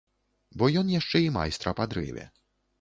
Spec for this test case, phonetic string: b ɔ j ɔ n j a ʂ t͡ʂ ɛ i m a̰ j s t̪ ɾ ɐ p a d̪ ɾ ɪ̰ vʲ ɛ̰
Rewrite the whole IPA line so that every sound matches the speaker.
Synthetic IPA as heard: b ɔ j ɔ n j a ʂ t͡ʂ ɛ i m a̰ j s t̪ ɾ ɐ p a d̪ ɾ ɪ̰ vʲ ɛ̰